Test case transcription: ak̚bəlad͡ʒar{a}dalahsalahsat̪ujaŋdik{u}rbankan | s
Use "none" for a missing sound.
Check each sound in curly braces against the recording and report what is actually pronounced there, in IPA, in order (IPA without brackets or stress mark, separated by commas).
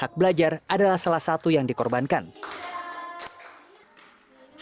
a, ɔ